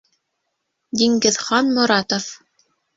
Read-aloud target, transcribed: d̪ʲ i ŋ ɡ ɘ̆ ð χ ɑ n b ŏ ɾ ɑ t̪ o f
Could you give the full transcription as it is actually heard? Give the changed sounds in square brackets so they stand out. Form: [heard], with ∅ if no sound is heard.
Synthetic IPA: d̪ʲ i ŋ ɡ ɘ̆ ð χ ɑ n [m] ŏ ɾ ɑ t̪ o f